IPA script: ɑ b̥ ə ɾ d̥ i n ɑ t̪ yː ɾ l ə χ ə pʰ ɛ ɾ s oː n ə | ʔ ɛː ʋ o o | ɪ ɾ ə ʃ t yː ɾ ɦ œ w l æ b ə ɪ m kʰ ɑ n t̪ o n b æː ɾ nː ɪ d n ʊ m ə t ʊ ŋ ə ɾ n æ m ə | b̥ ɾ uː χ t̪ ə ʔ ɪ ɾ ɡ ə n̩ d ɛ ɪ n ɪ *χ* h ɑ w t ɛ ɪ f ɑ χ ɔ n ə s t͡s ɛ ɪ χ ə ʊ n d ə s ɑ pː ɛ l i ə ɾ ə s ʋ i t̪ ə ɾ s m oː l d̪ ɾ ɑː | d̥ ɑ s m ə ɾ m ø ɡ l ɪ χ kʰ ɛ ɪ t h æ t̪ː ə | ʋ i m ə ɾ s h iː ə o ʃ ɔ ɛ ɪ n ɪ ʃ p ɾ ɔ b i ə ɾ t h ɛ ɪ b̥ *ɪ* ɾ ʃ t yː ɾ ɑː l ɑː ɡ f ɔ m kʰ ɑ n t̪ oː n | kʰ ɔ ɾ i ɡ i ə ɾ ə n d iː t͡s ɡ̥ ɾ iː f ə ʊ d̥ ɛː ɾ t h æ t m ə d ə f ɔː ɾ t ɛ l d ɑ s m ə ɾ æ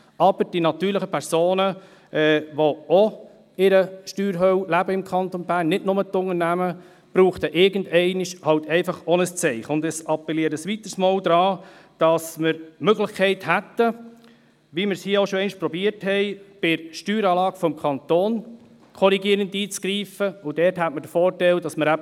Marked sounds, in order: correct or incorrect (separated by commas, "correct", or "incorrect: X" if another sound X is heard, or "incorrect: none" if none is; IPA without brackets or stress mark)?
incorrect: ʃ, correct